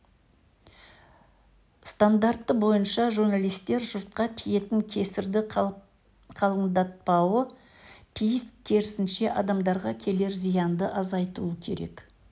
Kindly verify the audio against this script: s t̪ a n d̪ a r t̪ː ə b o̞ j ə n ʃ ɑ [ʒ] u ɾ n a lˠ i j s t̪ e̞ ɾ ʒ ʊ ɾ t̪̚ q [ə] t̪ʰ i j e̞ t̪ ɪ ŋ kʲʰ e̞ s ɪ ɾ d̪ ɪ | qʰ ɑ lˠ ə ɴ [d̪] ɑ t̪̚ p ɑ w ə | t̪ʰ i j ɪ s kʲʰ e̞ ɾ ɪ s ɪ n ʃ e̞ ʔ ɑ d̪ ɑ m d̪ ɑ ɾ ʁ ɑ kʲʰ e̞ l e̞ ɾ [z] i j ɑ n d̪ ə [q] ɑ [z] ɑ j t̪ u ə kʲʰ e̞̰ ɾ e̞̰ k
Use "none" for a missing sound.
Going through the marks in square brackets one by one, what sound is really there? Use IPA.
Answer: ʒ, ɑ, d̪, z, ʔ, z

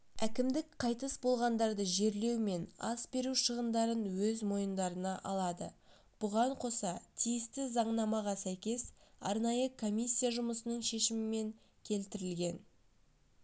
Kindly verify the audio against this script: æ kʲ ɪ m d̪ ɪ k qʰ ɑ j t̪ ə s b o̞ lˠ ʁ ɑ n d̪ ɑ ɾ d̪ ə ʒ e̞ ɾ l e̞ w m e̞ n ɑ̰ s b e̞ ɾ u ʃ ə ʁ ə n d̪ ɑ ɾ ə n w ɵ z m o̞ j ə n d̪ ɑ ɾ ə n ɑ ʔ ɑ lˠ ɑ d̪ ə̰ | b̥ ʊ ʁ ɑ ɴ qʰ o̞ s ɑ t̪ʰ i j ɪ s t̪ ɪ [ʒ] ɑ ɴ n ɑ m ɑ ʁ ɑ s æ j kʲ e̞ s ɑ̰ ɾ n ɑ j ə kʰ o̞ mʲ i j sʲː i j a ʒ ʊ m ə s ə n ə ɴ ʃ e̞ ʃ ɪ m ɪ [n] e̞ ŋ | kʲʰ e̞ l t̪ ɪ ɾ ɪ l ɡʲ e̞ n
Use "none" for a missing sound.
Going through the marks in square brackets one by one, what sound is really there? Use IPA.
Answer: z, m

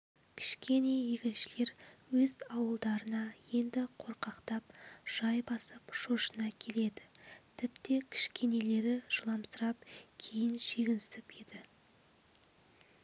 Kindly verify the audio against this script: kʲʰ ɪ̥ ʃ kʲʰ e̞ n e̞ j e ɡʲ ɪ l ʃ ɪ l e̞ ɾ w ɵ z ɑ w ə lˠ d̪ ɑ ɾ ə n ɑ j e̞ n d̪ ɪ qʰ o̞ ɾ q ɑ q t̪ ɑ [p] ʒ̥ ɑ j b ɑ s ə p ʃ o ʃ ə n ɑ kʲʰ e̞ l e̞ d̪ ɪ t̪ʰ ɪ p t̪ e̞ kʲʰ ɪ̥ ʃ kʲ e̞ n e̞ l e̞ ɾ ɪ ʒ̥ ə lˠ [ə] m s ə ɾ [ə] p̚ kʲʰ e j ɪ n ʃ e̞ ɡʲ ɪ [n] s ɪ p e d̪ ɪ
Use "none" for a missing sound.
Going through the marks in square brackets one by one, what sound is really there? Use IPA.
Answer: p, ɑ, ɑ, n

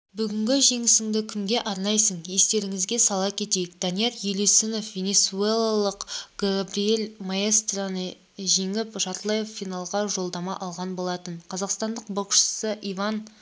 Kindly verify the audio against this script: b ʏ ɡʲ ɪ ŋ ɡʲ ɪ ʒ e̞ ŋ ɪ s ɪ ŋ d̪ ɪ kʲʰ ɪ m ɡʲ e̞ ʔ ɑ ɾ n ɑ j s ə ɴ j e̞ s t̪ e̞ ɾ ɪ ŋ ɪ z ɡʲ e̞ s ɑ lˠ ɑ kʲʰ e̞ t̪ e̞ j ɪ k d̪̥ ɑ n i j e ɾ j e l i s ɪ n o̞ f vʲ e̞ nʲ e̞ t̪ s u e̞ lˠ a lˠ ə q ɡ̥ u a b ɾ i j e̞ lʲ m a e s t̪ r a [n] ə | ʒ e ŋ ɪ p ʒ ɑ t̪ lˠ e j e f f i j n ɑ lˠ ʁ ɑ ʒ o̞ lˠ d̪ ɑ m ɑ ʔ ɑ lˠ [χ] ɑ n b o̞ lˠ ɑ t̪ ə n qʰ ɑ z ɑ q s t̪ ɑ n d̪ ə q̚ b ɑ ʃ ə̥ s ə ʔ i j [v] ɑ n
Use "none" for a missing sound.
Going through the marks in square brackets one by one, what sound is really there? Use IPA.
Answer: n, ʁ, v

